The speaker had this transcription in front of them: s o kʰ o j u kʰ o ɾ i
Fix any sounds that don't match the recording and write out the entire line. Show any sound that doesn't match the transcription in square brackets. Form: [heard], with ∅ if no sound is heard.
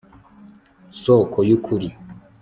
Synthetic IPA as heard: s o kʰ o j u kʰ [u] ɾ i